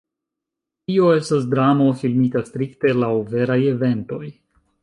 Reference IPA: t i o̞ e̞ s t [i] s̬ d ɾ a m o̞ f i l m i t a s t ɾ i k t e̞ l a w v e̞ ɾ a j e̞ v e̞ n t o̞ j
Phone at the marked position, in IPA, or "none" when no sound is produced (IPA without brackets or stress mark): a